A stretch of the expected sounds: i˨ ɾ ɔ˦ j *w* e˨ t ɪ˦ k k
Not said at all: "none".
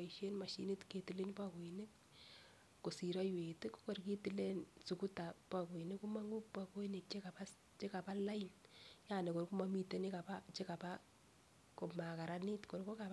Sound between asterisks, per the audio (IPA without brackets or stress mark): w